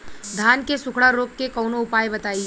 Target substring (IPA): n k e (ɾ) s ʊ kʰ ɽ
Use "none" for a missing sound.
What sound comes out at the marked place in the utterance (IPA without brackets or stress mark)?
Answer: none